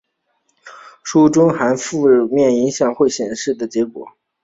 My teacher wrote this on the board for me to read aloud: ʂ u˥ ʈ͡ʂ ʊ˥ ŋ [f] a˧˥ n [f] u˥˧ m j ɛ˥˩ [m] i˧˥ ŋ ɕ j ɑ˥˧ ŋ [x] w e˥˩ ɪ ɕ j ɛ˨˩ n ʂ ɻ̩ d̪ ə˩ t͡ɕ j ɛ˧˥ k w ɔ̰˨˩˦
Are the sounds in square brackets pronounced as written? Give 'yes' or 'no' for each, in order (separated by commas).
no, yes, no, yes